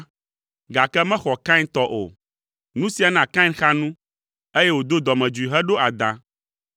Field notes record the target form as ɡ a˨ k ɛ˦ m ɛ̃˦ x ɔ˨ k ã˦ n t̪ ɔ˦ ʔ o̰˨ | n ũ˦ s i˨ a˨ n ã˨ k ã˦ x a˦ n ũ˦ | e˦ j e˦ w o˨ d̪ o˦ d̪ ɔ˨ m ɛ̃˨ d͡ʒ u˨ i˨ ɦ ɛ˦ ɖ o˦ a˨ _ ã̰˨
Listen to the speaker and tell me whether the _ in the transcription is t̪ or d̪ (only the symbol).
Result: d̪